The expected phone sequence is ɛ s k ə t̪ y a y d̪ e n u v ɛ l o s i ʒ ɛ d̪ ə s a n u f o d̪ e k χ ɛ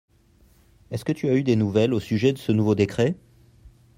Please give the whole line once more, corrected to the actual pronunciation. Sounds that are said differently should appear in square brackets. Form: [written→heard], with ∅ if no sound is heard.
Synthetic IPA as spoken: ɛ s k ə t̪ y a y d̪ e n u v ɛ l o s [i→y] ʒ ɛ d̪ ə s [a→ə] n u [f→v] o d̪ e k χ ɛ